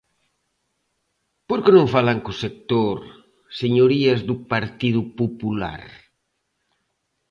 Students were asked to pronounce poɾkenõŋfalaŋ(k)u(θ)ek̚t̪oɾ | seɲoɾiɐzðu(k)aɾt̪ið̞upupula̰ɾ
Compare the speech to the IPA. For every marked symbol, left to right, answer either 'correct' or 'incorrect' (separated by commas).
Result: correct, incorrect, incorrect